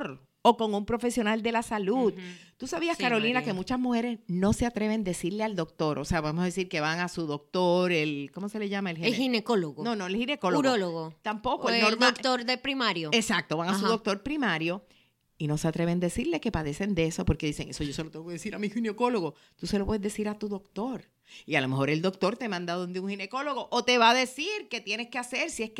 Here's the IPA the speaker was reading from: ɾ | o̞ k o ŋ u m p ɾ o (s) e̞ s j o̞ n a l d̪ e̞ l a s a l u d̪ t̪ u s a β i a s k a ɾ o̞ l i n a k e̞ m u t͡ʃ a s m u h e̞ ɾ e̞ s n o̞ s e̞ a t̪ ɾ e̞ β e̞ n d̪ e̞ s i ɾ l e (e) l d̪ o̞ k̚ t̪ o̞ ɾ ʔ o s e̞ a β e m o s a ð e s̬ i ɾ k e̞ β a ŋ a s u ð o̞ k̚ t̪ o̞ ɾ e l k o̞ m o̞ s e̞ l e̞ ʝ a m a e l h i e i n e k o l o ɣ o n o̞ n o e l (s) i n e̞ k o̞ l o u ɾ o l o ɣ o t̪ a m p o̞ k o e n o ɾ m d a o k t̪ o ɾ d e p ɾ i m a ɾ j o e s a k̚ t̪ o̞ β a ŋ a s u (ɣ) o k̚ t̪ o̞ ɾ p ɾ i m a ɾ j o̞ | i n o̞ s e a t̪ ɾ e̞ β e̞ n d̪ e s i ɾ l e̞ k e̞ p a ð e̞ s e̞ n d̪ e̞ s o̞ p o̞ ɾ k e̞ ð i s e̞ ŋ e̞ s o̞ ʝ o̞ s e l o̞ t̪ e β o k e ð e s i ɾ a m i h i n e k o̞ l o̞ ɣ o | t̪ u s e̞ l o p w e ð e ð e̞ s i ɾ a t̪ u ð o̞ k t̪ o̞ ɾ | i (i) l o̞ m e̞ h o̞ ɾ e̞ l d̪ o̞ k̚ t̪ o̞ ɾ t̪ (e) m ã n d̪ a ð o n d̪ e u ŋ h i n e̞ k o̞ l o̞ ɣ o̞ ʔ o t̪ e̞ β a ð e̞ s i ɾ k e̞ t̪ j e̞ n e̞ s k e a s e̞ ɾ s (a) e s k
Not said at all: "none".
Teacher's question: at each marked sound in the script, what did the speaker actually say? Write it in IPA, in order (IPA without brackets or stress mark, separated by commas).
f, a, h, ð, a, e, i